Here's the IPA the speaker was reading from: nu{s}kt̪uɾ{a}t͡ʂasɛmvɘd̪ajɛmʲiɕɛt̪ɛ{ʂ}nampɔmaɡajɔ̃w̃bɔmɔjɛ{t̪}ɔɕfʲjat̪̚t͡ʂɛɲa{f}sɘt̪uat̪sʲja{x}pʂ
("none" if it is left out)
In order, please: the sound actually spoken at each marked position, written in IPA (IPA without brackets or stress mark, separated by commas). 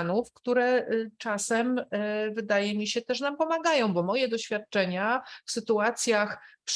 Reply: f, ɛ, ʂ, d̪, f, x